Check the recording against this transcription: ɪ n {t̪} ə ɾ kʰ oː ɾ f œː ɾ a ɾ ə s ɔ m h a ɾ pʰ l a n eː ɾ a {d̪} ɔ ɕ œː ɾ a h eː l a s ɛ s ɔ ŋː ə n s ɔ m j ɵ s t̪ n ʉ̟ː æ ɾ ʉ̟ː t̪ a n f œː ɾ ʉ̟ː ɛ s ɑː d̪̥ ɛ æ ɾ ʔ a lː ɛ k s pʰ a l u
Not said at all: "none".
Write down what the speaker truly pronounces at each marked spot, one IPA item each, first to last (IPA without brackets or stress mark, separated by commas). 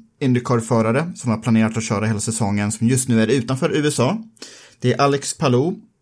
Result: d̪, t̪